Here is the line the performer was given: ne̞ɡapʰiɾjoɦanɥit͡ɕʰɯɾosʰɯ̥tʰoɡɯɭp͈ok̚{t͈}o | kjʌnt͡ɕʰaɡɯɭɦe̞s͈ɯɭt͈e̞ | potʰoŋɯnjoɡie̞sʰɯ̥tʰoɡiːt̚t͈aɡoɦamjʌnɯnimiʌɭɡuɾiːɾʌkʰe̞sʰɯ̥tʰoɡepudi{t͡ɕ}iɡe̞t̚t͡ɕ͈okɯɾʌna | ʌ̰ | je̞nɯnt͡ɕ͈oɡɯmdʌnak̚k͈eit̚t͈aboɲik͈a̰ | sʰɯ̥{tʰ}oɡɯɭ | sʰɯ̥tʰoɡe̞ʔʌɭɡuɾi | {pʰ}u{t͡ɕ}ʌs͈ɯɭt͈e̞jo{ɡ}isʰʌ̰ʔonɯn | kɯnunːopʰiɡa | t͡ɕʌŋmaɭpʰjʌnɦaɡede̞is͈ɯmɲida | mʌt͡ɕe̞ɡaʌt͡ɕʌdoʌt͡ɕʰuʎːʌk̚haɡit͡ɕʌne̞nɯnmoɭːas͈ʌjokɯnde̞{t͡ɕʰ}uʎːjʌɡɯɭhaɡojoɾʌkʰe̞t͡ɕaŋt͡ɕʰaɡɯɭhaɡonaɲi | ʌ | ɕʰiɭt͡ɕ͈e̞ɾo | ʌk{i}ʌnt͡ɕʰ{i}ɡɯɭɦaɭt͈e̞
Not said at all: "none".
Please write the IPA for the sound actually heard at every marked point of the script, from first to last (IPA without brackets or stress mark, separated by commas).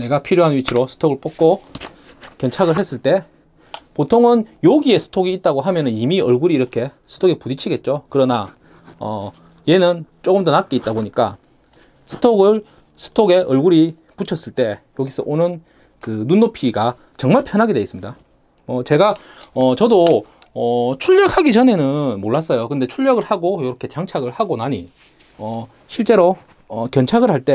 k͈, t͡ɕʰ, tʰ, p, t͡ɕʰ, ɡ, t͡ɕʰ, j, a